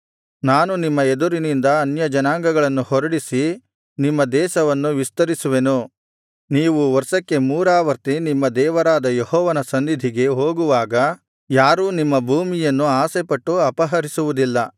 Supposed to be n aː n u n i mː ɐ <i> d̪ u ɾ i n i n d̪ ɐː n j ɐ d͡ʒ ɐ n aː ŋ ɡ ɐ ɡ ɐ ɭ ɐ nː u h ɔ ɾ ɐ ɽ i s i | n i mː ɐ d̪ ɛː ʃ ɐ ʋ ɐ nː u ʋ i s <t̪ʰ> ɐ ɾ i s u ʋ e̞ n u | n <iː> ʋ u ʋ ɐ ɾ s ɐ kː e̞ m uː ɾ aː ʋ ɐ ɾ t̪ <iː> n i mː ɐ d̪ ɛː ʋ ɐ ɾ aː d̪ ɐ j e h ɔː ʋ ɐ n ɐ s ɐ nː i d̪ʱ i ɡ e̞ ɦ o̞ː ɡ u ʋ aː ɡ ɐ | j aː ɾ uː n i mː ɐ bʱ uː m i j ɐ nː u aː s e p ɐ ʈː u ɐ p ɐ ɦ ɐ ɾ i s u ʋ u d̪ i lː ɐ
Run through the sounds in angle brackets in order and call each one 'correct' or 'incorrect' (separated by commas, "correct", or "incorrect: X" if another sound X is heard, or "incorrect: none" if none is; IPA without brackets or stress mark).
incorrect: e, incorrect: t̪, correct, incorrect: i